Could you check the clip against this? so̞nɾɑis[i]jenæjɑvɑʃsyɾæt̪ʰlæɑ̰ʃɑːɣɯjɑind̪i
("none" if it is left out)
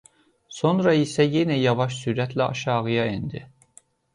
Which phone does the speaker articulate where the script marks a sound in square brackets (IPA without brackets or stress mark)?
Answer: æ